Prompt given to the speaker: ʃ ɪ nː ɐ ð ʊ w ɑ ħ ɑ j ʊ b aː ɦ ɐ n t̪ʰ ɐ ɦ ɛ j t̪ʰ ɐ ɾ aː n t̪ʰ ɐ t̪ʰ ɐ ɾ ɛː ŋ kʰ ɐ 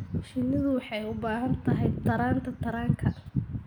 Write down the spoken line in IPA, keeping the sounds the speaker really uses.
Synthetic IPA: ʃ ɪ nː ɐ ð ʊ w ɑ ħ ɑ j ʊ b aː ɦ ɐ n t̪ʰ ɐ ɦ ɛ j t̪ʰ ɐ ɾ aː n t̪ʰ ɐ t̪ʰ ɐ ɾ aː ŋ kʰ ɐ